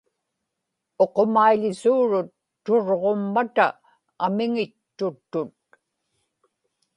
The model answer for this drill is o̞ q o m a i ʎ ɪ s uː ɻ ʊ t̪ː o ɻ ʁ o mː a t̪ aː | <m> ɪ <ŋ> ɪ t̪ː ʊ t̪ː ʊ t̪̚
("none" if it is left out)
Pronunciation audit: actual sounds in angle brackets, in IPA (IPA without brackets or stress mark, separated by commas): m, ŋ